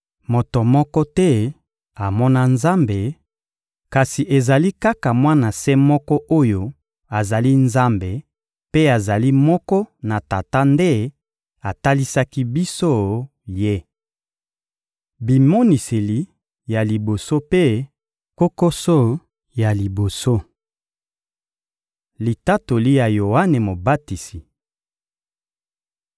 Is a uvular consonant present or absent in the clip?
absent